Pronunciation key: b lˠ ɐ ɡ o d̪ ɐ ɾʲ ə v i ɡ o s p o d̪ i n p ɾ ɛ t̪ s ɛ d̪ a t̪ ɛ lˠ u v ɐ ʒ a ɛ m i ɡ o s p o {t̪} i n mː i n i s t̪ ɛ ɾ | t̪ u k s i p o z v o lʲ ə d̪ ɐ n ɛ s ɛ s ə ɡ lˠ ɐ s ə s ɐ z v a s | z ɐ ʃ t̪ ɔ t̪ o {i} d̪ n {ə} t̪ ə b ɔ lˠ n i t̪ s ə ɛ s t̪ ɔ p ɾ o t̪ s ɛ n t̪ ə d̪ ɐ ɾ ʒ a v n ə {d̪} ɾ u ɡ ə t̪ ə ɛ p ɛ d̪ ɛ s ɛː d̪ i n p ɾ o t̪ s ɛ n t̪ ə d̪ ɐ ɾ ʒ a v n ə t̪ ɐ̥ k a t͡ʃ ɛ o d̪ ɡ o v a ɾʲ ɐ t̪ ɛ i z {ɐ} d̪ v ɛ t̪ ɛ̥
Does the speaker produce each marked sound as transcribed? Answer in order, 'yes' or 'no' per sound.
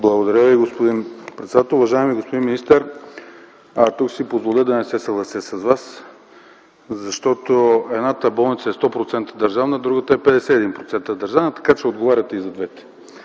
no, no, no, yes, yes

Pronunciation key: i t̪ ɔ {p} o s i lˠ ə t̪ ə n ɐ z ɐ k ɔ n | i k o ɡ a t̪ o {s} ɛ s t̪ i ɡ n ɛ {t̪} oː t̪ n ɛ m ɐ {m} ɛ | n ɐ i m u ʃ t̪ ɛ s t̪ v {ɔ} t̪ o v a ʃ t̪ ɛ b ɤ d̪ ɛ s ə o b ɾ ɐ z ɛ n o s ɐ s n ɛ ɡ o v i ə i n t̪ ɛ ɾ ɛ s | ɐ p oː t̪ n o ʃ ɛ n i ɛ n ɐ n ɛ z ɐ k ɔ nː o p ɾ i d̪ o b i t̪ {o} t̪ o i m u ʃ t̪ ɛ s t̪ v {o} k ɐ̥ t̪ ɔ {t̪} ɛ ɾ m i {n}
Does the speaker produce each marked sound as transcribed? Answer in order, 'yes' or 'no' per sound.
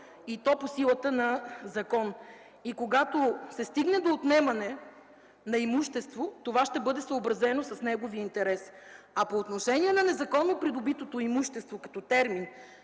yes, yes, no, no, no, yes, yes, yes, yes

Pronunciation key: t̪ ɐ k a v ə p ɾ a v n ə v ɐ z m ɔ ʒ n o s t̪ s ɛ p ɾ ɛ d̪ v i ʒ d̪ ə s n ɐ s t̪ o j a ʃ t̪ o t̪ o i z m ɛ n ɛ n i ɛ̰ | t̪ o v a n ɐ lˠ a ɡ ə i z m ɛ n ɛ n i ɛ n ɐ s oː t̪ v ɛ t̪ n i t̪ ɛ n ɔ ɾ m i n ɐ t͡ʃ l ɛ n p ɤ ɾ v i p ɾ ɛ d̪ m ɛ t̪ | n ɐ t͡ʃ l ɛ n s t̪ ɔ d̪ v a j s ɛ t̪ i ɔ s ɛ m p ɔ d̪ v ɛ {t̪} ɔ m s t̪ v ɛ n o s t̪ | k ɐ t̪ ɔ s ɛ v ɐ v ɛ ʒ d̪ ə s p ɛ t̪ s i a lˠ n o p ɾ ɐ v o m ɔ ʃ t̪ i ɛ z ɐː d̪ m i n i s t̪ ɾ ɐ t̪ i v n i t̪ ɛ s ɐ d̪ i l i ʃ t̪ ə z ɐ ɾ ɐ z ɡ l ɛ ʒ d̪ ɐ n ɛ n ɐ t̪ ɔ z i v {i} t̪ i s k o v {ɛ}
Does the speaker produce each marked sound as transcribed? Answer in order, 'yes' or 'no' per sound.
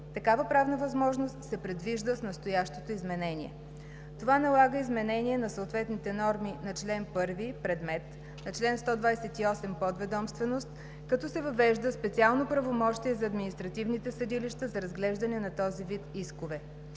no, yes, yes

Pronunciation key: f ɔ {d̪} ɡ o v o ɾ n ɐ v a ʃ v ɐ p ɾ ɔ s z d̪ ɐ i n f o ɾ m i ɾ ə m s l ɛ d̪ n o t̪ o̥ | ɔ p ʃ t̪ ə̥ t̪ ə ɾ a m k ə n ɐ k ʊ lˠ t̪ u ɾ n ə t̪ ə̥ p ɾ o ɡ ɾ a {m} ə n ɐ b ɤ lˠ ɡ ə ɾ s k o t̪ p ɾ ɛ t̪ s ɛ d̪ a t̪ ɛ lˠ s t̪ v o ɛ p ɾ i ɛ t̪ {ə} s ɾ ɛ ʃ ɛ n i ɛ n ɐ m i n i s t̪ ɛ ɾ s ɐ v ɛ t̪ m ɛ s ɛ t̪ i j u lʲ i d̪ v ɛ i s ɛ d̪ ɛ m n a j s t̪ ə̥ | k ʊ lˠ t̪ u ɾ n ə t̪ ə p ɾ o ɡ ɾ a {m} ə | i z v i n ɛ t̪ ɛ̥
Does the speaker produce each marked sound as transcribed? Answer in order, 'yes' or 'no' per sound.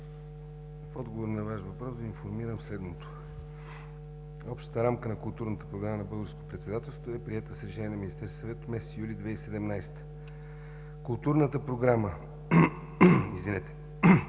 yes, yes, yes, yes

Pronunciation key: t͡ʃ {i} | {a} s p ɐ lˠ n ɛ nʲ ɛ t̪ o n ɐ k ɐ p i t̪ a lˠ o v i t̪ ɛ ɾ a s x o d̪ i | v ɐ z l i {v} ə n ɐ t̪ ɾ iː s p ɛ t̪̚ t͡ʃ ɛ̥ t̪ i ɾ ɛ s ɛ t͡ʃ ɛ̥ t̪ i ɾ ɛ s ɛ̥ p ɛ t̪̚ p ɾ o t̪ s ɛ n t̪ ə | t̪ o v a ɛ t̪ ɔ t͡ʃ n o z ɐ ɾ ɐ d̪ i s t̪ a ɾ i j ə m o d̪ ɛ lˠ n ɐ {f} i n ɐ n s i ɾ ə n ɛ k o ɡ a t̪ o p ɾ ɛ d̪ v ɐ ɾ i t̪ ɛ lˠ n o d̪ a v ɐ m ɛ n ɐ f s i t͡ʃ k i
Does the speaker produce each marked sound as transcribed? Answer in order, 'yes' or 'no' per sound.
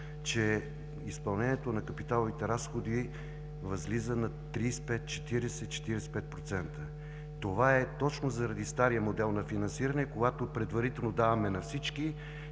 no, no, no, yes

